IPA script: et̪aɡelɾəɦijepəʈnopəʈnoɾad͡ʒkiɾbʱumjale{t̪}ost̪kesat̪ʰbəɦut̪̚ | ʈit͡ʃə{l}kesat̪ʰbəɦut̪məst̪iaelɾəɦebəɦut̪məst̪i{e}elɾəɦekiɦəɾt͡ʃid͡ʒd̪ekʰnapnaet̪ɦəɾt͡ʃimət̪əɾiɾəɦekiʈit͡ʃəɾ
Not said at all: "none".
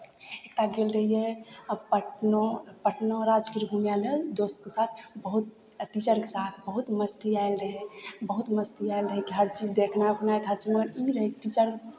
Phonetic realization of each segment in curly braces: d̪, ɾ, a

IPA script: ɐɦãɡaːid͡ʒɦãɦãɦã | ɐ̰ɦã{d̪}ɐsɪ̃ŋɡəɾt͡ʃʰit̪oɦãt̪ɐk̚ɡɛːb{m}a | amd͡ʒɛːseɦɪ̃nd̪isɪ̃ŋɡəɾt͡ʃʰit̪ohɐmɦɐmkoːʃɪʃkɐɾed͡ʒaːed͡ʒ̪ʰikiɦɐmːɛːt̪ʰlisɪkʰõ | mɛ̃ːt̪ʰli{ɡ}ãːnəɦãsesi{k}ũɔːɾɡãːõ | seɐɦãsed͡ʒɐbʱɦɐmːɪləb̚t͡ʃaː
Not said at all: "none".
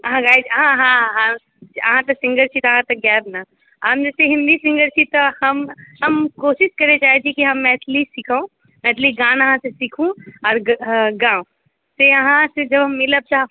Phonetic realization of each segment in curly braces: t̪, n, ɡ, kʰ

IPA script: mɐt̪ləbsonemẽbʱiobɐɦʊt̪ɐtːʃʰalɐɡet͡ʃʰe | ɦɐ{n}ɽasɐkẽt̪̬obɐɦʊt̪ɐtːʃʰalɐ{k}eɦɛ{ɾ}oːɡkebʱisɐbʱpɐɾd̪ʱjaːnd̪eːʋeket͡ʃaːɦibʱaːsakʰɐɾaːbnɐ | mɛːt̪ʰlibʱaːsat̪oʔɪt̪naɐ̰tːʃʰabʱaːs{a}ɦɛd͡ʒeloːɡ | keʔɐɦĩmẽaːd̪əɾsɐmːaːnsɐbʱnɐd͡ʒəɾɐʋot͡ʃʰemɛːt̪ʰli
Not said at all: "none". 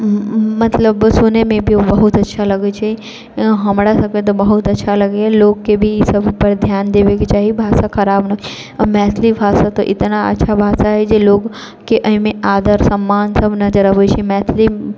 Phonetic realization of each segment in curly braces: m, ɡ, l, a

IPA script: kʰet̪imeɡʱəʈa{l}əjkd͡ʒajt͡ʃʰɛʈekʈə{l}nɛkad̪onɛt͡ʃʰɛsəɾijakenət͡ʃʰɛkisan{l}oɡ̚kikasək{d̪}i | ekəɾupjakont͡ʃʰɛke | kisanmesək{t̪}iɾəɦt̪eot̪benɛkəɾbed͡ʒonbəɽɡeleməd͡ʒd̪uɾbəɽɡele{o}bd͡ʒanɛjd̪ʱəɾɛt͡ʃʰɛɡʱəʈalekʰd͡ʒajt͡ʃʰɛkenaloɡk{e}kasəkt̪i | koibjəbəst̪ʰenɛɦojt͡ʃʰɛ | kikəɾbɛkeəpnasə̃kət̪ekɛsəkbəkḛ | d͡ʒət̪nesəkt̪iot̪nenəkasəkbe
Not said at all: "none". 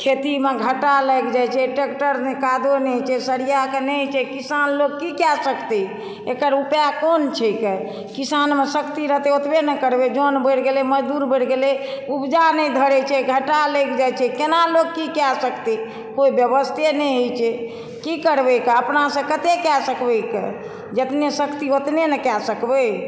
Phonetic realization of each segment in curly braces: l, ɾ, l, t̪, t̪, u, i

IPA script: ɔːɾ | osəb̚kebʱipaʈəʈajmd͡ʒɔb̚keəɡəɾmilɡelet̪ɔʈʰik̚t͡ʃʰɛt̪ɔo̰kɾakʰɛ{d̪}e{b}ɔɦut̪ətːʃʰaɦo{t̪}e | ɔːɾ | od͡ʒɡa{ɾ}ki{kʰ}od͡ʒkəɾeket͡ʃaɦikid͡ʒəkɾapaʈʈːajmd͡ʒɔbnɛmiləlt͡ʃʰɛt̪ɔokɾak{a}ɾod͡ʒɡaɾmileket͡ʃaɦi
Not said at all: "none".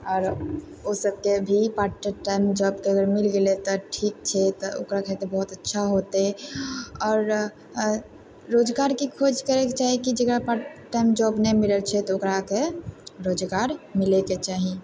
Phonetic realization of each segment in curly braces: t̪, b, t̪, ɾ, kʰ, e

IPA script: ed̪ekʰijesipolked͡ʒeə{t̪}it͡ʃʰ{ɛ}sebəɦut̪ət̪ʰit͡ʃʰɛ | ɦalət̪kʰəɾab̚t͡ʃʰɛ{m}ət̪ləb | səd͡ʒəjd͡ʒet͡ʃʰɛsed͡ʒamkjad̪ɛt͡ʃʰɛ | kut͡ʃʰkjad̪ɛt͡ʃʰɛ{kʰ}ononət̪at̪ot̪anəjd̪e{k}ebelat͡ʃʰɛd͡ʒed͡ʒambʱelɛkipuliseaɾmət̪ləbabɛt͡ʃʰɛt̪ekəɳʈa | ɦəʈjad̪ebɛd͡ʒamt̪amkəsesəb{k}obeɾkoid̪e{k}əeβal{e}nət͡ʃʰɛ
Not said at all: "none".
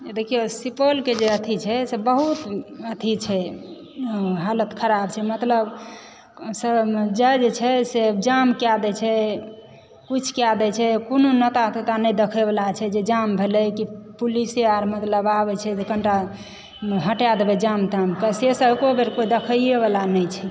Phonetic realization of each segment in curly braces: t̪ʰ, ɛ, m, k, kʰ, k, kʰ, a

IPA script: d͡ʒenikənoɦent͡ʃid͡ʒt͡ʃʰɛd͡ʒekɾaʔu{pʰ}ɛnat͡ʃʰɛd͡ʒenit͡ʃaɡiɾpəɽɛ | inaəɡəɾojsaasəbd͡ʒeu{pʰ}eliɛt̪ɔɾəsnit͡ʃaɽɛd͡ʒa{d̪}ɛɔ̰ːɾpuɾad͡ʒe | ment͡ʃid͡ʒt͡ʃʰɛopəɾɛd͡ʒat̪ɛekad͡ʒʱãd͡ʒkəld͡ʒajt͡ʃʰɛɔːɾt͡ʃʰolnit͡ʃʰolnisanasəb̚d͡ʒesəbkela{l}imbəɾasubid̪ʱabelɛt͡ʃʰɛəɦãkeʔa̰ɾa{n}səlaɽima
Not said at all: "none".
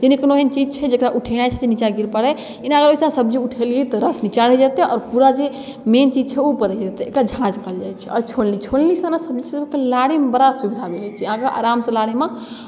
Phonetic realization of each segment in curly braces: ʈʰ, ʈʰ, t̪, ɽ, m

